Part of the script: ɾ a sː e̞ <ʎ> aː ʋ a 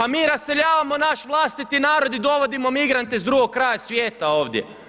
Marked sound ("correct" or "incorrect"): correct